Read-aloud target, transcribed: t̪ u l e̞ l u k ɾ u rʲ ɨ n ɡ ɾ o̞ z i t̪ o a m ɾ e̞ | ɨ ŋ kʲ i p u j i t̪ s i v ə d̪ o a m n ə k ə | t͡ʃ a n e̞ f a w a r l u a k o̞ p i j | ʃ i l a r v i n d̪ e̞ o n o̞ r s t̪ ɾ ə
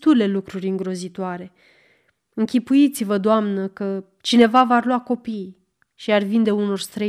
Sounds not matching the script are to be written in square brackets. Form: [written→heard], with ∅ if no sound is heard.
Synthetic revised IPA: t̪ u l e̞ l u k ɾ u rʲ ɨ [n→ŋ] ɡ ɾ o̞ z i t̪ o a [m→∅] ɾ e̞ | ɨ ŋ kʲ i p u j i t̪ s i v ə d̪ o a m n ə k ə | t͡ʃ [a→i] n e̞ [f→v] a [w→v] a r l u a k o̞ p i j | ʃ i [l→∅] a r v i n d̪ e̞ [o→u] n o̞ r s t̪ ɾ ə